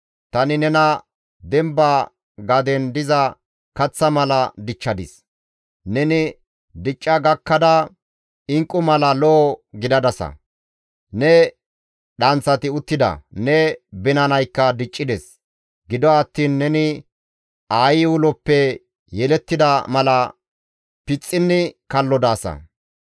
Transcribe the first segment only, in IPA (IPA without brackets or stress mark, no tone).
t̪